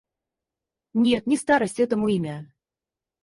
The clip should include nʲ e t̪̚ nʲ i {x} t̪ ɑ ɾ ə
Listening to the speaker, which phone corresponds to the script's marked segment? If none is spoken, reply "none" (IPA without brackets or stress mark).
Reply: s